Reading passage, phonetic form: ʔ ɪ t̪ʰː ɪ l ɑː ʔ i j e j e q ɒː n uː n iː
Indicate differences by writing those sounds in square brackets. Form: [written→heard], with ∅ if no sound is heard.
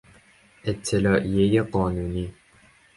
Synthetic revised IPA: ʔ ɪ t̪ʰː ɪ l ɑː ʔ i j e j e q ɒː n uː n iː